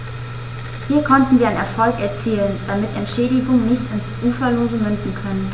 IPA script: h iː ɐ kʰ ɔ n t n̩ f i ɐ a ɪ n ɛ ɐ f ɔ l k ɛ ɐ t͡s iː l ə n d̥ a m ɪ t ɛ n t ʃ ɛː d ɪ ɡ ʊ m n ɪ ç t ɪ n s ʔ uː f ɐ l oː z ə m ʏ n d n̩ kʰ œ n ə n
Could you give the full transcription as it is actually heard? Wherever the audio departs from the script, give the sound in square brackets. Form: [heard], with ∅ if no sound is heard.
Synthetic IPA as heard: h iː ɐ kʰ ɔ n t n̩ [v] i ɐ a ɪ n ɛ ɐ f ɔ l k ɛ ɐ t͡s iː l ə n d̥ a m ɪ t ɛ n t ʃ ɛː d ɪ ɡ ʊ [ŋ] n ɪ ç t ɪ n s ʔ uː f ɐ l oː z ə m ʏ n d n̩ kʰ œ n ə n